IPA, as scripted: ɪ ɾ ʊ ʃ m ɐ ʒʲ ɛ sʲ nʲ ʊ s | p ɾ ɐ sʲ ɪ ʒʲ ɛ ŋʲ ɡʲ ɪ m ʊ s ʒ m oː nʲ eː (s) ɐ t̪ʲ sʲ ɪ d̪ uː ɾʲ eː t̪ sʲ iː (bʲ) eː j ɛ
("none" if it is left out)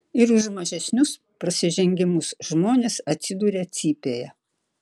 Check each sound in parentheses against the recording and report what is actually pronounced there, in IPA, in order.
s, pʲ

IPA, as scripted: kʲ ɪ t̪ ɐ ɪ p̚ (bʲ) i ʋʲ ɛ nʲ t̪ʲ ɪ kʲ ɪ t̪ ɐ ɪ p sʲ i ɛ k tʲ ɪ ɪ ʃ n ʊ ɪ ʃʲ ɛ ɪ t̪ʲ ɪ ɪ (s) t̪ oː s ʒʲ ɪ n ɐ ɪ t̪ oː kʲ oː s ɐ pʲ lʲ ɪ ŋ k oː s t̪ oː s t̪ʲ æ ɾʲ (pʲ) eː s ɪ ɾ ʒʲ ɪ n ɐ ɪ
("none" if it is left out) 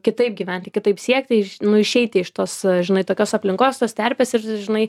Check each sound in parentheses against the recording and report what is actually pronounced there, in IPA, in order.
ɡʲ, ʃ, pʲ

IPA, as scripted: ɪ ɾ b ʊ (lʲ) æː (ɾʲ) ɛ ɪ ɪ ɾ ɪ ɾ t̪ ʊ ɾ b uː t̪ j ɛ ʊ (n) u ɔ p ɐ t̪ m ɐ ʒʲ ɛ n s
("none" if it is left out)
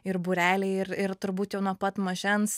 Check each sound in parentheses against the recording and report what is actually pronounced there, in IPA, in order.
ɾʲ, lʲ, n

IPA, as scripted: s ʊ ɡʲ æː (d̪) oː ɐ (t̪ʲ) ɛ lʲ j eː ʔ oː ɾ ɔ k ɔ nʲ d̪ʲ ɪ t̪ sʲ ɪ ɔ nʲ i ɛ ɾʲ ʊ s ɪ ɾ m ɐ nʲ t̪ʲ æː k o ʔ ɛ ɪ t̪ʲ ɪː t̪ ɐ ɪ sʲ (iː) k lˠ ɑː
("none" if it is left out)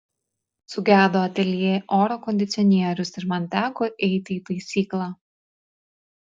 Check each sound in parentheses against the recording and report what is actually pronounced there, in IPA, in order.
d̪, t̪ʲ, iː

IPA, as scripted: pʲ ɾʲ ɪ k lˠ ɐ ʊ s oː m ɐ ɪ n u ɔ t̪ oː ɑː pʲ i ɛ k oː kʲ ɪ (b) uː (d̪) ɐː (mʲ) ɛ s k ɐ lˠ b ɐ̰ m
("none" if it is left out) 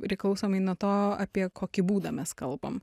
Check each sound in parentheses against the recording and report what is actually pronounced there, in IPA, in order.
b, d̪, mʲ

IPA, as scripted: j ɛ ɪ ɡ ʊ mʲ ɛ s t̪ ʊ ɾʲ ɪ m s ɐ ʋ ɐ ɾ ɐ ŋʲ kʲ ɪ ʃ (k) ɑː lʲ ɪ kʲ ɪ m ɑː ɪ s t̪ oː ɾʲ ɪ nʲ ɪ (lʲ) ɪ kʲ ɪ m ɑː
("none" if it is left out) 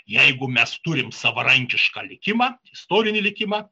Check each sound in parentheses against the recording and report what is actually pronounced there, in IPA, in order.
k, lʲ

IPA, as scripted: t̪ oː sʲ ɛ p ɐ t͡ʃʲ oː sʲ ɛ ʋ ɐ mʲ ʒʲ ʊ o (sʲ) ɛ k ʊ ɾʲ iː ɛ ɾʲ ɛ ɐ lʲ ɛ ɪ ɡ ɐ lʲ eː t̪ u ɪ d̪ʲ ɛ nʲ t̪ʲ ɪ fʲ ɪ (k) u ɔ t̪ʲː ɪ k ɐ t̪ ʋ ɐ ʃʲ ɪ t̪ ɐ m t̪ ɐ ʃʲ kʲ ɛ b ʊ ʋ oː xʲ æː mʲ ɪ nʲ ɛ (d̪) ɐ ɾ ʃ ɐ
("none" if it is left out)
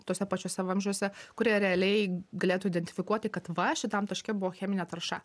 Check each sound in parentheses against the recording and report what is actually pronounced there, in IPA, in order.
sʲ, k, t̪

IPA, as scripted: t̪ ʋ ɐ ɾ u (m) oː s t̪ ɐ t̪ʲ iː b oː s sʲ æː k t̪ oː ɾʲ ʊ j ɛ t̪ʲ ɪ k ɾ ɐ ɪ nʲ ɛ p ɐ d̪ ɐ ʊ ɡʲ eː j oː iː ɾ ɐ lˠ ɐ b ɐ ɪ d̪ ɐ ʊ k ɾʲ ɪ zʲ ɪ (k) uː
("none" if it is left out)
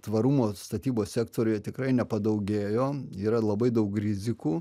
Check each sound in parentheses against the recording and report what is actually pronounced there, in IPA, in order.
m, k

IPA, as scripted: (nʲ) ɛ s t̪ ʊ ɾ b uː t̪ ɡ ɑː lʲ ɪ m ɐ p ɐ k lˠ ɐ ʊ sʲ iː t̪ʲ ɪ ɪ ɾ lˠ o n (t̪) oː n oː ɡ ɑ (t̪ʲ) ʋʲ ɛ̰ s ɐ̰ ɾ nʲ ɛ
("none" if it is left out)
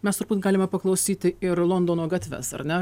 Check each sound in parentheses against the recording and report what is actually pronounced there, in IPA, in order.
mʲ, d̪, t̪ʲ

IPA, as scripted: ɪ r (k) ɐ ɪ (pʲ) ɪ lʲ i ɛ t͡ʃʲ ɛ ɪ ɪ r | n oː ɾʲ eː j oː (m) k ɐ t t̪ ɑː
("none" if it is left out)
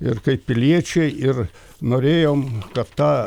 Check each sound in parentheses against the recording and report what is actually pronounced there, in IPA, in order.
k, pʲ, m

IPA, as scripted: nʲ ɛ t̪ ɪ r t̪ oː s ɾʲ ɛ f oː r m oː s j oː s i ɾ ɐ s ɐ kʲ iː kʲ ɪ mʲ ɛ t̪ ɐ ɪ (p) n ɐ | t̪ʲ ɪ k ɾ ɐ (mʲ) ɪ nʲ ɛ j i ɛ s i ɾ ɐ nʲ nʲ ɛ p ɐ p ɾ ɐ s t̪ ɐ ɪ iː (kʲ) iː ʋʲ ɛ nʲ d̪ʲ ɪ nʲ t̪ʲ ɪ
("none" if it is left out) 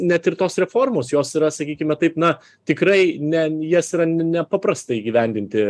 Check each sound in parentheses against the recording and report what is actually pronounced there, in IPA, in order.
p, none, ɡʲ

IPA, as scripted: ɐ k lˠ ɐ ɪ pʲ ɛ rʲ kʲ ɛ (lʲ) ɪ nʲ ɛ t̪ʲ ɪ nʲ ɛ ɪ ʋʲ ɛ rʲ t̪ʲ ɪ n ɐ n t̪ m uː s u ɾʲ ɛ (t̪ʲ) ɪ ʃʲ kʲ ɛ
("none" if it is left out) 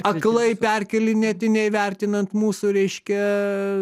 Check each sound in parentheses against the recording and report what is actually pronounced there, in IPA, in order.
lʲ, none

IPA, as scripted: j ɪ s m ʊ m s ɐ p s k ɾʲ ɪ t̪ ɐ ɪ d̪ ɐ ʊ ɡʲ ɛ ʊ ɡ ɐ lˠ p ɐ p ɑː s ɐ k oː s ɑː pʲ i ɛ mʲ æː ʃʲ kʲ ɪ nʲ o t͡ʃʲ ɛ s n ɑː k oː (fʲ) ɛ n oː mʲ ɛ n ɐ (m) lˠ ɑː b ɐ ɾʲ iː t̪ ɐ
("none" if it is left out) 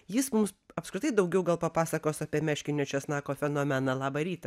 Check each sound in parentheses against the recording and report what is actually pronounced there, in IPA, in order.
fʲ, none

